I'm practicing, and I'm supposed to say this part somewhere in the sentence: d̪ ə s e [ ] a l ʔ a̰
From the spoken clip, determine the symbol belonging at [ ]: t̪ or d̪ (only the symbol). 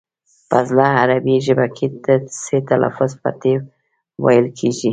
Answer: t̪